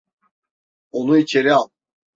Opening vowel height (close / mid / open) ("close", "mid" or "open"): mid